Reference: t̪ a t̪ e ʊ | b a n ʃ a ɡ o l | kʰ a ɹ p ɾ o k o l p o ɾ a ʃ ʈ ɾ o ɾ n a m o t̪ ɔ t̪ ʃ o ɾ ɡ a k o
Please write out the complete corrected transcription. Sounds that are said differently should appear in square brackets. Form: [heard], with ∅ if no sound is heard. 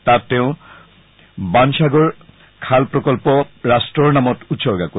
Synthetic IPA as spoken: t̪ a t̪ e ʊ | b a n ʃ a ɡ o [ɾ] | kʰ a [l] p ɾ o k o l p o ɾ a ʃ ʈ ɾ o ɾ n a m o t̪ [u] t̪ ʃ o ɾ ɡ a k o

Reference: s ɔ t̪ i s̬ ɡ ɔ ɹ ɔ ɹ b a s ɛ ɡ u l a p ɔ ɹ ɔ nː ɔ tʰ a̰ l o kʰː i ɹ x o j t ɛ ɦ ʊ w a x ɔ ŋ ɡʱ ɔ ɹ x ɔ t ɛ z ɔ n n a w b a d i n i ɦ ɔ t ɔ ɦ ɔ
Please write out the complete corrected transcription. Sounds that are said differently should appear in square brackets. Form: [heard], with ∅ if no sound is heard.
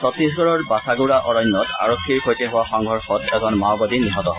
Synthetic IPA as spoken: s ɔ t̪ i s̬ ɡ ɔ ɹ ɔ ɹ b a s [a] ɡ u [ɹ] a [ʔ] ɔ ɹ ɔ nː ɔ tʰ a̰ [ɹ] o kʰː i ɹ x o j t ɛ ɦ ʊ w a x ɔ ŋ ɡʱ ɔ ɹ x ɔ t ɛ z ɔ n [m] a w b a d i n i ɦ ɔ t ɔ ɦ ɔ

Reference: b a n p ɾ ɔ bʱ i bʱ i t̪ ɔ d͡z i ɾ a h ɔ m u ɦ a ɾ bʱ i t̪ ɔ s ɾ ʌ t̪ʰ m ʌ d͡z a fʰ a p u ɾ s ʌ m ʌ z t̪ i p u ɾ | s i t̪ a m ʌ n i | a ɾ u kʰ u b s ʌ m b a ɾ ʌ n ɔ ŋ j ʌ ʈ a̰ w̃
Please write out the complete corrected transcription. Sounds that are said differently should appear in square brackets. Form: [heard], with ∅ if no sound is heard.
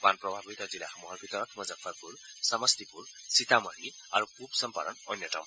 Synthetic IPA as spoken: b a n p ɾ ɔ bʱ [a] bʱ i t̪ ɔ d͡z i [l] a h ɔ m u ɦ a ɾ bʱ i t̪ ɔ [∅] ɾ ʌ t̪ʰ m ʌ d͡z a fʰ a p u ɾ s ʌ m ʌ [s] t̪ i p u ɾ | s i t̪ a m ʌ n i | a ɾ u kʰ u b s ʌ m [p] a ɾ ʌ n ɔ [n] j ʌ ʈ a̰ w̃

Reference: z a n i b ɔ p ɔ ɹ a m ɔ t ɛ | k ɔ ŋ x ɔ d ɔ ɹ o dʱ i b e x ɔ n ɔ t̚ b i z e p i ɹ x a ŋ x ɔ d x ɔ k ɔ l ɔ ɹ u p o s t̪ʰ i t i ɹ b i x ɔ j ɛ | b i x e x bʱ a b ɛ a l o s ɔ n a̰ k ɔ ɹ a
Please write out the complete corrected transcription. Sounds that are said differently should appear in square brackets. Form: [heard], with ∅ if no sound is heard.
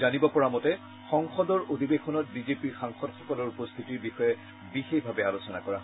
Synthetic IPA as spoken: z a n i b ɔ p ɔ ɹ a m ɔ t ɛ | [x] ɔ ŋ x ɔ d ɔ ɹ o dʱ i b e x ɔ n ɔ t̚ b i z e p i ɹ x a ŋ x ɔ d x ɔ k ɔ l ɔ ɹ u p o s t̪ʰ i t i ɹ b i x ɔ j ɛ | b i x e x bʱ a b ɛ a l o s ɔ n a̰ k ɔ ɹ a

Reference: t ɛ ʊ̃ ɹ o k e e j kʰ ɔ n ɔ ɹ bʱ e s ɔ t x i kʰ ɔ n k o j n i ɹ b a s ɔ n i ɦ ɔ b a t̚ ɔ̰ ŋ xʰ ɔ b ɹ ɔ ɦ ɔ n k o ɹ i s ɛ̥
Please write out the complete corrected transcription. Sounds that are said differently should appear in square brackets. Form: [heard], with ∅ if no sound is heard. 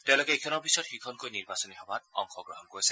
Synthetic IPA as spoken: t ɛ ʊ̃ [l] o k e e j kʰ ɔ n ɔ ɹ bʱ [i] s ɔ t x i kʰ ɔ n k o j n i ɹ b a s ɔ n i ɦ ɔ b a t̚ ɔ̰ ŋ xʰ ɔ [ɡ] ɹ ɔ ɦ ɔ n k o ɹ i s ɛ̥

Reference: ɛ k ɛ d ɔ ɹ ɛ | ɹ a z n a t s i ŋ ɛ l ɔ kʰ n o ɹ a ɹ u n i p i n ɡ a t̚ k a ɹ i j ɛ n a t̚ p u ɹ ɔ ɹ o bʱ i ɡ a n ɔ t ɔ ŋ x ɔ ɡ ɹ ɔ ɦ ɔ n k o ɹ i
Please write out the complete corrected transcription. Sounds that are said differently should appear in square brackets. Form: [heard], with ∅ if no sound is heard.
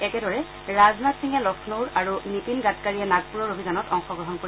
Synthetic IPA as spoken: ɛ k ɛ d ɔ ɹ ɛ | ɹ a z n a t s i ŋ ɛ l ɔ kʰ n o ɹ a ɹ u n i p i n ɡ a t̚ k a ɹ i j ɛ n a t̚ p u ɹ ɔ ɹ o bʱ i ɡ a n ɔ t ɔ ŋ x ɔ ɡ ɹ ɔ ɦ ɔ n k o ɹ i

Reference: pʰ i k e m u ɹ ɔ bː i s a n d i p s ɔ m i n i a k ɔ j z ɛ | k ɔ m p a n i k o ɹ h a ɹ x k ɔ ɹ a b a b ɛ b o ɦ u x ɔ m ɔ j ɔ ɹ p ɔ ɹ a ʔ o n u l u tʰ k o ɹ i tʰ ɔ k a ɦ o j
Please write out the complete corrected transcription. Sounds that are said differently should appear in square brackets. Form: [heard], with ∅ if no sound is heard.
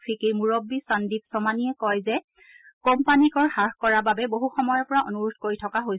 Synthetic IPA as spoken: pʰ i k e m u ɹ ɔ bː i s a n d i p s ɔ m [a] n i [ɛ] k ɔ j z ɛ | k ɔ m p a n i k [ɔ] ɹ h a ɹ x k ɔ ɹ a b a b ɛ b o ɦ u x ɔ m ɔ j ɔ ɹ p ɔ ɹ a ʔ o n u [ɹ] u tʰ k o ɹ i tʰ ɔ k a ɦ o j

